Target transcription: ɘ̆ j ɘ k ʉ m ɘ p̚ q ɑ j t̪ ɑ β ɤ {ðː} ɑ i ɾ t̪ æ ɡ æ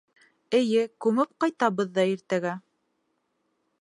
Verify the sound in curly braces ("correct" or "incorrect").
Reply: correct